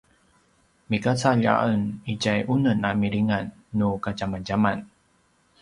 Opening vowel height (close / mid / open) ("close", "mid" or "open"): close